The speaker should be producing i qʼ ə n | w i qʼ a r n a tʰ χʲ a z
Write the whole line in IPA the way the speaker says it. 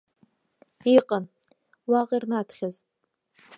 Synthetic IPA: i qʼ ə n | w a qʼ i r n a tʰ χʲ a z